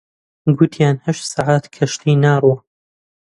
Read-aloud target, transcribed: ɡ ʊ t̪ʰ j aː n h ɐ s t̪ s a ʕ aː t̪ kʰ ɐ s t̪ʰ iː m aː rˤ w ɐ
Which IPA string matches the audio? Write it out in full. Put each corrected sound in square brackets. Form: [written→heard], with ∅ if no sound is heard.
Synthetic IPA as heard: ɡ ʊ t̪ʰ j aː n h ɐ [s→ʃ] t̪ s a ʕ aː t̪ kʰ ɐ [s→ʃ] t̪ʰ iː [m→n] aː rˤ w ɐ

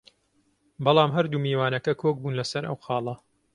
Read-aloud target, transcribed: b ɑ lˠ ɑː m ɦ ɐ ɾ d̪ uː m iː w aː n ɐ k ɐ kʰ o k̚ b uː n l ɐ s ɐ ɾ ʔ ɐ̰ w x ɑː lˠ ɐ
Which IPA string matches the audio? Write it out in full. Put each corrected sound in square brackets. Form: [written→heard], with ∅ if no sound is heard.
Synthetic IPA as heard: b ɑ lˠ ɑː m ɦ ɐ ɾ d̪ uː m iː w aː n ɐ k ɐ kʰ o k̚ b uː n l ɐ s ɐ ɾ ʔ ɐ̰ w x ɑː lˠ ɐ

